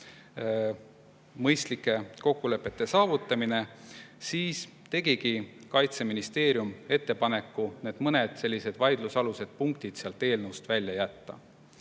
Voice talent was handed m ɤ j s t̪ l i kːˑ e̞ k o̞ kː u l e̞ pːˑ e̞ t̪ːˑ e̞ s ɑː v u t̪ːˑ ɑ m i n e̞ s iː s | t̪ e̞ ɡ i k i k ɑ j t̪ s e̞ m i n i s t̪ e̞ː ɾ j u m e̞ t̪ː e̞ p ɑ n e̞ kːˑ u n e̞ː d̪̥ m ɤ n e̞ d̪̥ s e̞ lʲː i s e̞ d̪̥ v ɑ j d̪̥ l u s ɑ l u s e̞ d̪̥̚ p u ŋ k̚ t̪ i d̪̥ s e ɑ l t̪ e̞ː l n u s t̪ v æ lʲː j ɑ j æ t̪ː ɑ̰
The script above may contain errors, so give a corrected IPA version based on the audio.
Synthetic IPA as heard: m ɤ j s t̪ l i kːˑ e̞ k o̞ kː u l e̞ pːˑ e̞ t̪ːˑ e̞ s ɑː v u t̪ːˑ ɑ m i n e̞ s iː s | t̪ e̞ ɡ i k i k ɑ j t̪ s e̞ m i n i s t̪ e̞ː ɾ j u m e̞ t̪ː e̞ p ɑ n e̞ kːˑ u n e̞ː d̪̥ m ɤ n e̞ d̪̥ s e̞ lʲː i s e̞ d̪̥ v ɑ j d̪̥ l u s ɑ l u s e̞ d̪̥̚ p u ŋ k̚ t̪ i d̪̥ s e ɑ l t̪ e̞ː l n u s t̪ v æ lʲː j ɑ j æ t̪ː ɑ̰